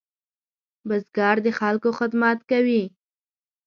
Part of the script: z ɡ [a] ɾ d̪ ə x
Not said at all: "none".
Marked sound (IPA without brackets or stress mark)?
ɑ